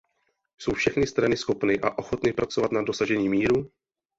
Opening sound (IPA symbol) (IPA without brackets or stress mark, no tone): s